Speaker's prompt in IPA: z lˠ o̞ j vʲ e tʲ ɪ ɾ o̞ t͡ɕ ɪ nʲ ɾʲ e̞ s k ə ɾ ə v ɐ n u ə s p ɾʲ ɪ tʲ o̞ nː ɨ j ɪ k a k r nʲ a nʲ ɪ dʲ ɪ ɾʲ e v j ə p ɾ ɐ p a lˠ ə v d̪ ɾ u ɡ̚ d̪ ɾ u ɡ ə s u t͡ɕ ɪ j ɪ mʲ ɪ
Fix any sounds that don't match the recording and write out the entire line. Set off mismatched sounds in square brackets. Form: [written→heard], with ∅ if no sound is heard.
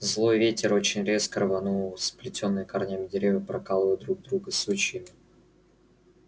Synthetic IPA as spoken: z lˠ o̞ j vʲ e tʲ ɪ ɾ o̞ t͡ɕ ɪ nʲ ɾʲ e̞ s k ə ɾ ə v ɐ n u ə s p [ɾʲ→lʲ] ɪ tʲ o̞ nː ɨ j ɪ k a [k→∅] r nʲ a [nʲ→mʲ] ɪ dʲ ɪ ɾʲ e v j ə p ɾ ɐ [p→k] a lˠ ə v d̪ ɾ u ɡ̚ d̪ ɾ u ɡ ə s u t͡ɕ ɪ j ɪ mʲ ɪ